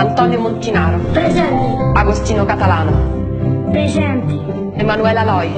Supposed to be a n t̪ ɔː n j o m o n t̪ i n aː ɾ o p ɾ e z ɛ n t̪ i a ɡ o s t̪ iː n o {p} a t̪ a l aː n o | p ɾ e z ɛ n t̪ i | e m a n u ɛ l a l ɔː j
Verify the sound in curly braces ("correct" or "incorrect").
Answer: incorrect